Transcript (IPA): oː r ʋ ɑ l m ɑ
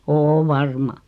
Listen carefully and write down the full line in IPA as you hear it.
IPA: oː ʋ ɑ r m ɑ